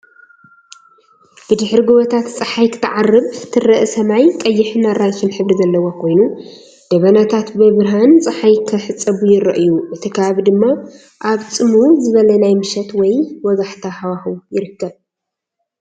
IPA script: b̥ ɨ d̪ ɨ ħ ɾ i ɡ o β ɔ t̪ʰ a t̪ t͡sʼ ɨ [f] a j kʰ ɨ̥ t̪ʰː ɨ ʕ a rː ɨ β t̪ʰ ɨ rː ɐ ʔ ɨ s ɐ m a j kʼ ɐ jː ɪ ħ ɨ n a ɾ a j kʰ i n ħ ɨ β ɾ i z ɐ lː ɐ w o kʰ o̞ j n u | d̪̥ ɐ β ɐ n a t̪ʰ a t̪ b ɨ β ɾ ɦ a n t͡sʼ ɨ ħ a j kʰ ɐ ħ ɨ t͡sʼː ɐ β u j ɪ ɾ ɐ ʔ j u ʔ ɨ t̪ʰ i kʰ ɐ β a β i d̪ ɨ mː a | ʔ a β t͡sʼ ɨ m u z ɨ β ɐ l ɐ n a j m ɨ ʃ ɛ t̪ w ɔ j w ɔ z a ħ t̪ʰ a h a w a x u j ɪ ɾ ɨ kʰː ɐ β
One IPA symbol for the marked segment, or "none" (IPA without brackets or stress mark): ħ